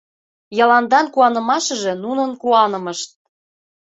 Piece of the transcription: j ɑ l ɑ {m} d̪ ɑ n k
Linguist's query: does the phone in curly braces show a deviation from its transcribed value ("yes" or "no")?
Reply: yes